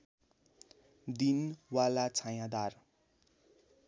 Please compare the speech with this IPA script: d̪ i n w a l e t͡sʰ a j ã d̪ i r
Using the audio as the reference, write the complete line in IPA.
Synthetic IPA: d̪ i n w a l a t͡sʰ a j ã d̪ a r